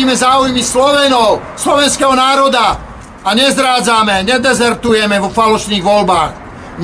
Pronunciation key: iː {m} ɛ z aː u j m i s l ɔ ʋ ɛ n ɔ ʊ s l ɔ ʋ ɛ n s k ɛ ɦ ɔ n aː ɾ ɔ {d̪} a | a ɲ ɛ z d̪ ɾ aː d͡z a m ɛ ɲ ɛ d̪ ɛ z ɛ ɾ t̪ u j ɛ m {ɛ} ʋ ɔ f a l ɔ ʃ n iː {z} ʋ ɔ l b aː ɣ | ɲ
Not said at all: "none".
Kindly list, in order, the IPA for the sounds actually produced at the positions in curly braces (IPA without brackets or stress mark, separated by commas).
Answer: m, d̪, ɛ, ɣ